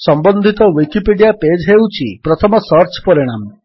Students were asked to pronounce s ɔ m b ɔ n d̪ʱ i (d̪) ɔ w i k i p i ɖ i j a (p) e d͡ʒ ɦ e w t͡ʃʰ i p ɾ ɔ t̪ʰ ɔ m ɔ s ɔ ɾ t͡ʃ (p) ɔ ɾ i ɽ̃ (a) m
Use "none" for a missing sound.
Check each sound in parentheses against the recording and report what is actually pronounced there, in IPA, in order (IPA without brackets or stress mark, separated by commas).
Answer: t̪, p, p, a